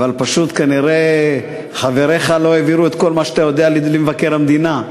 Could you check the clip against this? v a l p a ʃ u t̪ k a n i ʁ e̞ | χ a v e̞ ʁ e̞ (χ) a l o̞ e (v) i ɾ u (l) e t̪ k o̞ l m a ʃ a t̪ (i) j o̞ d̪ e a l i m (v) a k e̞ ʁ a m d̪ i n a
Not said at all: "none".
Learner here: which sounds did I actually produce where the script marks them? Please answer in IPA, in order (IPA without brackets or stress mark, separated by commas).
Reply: χ, v, none, a, v